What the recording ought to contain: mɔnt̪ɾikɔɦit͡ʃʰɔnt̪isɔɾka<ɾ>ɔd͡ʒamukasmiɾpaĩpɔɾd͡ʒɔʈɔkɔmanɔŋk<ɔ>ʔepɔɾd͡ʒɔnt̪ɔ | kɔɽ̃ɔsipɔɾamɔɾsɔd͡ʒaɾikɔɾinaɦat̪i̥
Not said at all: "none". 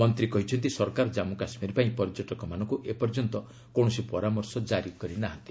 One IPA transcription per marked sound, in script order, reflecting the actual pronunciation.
ɾ, u

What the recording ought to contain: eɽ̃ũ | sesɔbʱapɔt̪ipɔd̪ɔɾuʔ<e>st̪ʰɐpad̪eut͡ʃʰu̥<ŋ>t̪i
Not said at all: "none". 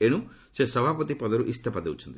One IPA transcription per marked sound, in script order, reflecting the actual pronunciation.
i, n

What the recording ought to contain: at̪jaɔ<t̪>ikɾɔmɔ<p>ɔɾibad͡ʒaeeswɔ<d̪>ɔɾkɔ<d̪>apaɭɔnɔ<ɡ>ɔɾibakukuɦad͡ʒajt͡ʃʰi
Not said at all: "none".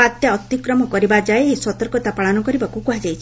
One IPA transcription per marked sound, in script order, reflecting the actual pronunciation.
t̪, k, t̪, t̪, k

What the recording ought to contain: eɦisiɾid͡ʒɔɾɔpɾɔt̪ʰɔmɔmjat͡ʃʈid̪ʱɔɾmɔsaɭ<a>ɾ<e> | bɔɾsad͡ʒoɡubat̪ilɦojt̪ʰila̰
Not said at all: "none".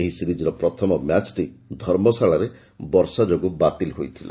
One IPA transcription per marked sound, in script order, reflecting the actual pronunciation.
a, e

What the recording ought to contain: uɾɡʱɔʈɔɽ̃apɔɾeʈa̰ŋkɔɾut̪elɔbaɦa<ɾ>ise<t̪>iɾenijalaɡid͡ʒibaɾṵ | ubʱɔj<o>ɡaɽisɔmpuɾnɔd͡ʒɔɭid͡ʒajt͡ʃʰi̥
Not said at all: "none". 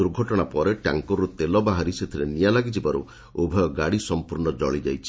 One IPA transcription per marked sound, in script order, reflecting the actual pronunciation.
ɾ, t̪ʰ, ɔ

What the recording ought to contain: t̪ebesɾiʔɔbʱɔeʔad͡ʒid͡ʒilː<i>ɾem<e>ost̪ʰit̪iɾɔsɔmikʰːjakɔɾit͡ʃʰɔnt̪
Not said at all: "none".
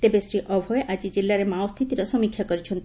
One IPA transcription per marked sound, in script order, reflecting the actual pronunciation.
a, a

